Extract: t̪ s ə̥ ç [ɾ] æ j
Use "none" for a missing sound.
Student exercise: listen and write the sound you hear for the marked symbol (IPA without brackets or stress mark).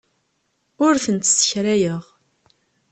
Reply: ɾ